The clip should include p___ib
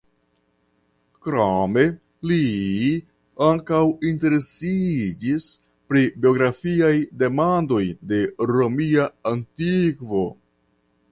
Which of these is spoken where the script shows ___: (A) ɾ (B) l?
A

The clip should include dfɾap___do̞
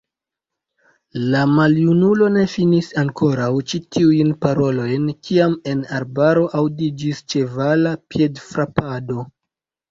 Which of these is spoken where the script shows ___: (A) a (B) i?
A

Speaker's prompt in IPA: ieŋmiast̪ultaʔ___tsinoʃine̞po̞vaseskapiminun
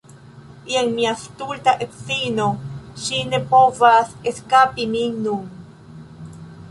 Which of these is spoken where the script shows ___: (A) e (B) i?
A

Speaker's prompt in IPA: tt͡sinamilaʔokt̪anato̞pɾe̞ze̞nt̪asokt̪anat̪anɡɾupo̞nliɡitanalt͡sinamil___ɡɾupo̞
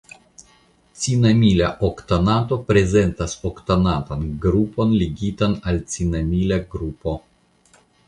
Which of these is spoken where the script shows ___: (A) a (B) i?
A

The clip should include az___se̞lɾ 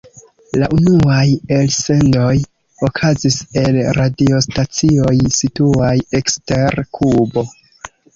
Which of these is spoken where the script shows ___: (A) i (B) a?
A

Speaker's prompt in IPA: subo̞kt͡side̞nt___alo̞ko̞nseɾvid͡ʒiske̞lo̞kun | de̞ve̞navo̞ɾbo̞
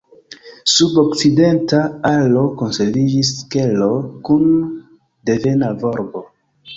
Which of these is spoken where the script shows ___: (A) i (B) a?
B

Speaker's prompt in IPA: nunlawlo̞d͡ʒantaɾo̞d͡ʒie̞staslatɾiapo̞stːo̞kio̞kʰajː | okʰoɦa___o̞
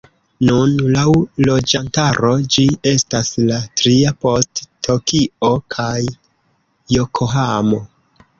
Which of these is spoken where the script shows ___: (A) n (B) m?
B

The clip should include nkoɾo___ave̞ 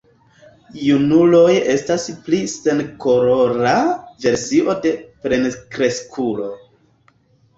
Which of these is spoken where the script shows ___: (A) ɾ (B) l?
A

